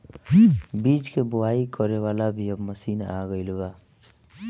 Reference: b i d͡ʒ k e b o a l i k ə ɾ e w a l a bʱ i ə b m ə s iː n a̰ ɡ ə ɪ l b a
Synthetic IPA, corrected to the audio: b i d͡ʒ k e b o a i k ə ɾ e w a l a bʱ i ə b m ə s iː n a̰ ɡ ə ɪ l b a

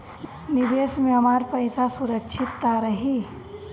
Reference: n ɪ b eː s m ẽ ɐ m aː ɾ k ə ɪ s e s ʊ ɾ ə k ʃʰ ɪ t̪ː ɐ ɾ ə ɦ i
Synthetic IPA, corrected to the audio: n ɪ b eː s m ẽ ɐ m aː ɾ p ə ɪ s a s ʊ ɾ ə k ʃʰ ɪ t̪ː a ɾ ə ɦ i

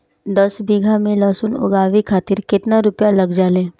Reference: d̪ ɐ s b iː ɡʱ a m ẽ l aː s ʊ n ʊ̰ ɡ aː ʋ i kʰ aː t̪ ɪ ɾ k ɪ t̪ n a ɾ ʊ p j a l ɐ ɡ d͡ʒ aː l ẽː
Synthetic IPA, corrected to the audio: d̪ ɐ s b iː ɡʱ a m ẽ l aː s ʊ n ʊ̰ ɡ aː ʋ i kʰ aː t̪ ɪ ɾ k ɪ t̪ n a ɾ ʊ p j a l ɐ ɡ d͡ʒ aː l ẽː

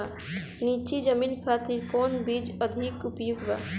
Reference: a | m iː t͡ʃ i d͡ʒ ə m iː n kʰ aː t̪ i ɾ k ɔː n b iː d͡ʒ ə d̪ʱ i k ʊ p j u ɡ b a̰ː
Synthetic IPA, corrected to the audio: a | n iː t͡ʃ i d͡ʒ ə m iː n kʰ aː t̪ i ɾ k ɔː n b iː d͡ʒ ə d̪ʱ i k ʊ p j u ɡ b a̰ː

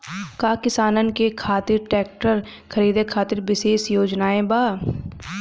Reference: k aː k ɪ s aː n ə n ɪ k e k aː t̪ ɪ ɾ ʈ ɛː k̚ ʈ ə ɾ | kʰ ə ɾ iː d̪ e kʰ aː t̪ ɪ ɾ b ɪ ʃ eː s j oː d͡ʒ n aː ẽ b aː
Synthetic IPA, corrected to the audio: k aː k ɪ s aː n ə n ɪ k e kʰ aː t̪ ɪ ɾ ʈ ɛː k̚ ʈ ə ɾ | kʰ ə ɾ iː d̪ e kʰ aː t̪ ɪ ɾ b ɪ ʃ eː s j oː d͡ʒ n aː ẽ b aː

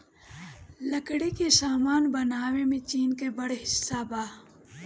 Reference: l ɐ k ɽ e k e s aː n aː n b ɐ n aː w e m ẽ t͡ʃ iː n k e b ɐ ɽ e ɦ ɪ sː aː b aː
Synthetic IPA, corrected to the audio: l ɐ k ɽ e k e s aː m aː n b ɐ n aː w e m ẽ t͡ʃ iː n k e b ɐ ɽ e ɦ ɪ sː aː b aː

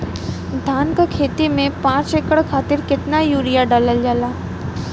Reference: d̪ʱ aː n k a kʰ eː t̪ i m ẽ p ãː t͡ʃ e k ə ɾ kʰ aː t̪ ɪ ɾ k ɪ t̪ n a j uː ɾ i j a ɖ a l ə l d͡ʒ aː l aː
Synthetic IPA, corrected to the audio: d̪ʱ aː n k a kʰ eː t̪ i m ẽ p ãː t͡ʃ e k ə ɽ kʰ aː t̪ ɪ ɾ k ɪ t̪ n a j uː ɾ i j a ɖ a l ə l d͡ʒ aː l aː

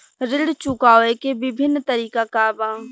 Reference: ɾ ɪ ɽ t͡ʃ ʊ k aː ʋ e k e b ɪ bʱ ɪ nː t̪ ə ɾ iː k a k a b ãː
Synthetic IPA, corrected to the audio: ɾ ɪ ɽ t͡ʃ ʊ k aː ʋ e k e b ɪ bʱ ɪ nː t̪ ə ɾ iː k a k a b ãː

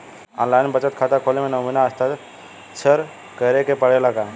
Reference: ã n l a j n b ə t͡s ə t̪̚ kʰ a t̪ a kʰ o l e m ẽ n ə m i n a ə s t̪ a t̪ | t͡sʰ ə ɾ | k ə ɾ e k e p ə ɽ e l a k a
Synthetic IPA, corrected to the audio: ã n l a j n b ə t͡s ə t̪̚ kʰ a t̪ a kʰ o l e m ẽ n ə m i n a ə s t̪ a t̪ | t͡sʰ ə ɾ | k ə ɾ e k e p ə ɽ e l a k a

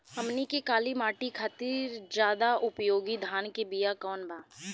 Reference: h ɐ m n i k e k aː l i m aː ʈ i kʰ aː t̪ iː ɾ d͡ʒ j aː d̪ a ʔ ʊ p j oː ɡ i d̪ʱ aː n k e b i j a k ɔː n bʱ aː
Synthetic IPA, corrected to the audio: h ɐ m n i k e k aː l i m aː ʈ i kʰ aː t̪ iː ɾ d͡ʒ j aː d̪ a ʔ ʊ p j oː ɡ i d̪ʱ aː n k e b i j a k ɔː n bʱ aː

